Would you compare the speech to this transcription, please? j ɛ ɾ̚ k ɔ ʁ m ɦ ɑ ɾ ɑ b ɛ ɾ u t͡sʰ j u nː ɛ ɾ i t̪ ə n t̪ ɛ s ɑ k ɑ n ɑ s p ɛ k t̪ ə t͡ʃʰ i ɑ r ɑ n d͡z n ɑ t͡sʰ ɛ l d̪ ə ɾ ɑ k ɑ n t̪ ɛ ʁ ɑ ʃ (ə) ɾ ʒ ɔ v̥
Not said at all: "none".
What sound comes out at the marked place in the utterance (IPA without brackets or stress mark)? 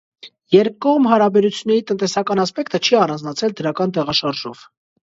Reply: ɑ